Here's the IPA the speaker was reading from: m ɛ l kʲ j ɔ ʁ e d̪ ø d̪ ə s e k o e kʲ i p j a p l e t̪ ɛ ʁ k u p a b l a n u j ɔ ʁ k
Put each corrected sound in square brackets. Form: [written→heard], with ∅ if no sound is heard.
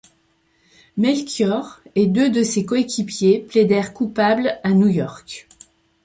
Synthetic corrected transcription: m ɛ l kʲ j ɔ ʁ e d̪ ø d̪ ə s e k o e kʲ i p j [a→e] p l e [t̪→d̪] ɛ ʁ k u p a b l a n u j ɔ ʁ k